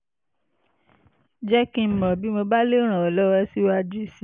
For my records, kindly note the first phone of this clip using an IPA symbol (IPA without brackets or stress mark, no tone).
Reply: d͡ʒ